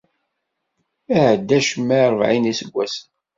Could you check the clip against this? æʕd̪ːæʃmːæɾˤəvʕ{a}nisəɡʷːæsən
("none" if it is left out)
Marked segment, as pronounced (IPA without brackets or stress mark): i